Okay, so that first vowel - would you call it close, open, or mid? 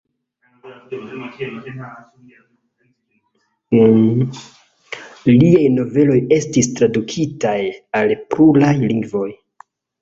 close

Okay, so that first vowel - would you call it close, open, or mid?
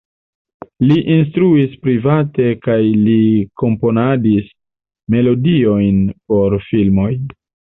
close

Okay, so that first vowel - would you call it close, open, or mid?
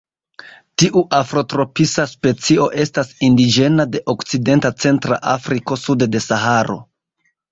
close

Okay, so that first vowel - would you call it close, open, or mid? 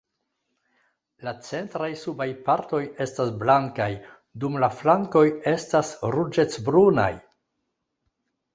open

